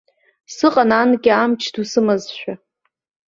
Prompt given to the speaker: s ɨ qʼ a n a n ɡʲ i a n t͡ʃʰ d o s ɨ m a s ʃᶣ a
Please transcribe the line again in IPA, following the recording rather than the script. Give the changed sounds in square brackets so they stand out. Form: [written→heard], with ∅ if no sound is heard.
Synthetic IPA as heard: s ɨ qʼ a n a n ɡʲ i a [n→m] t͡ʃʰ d [o→u] s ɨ m a [s→z] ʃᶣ a